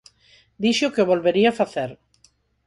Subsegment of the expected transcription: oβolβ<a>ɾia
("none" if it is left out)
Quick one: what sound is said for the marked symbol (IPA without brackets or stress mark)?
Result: e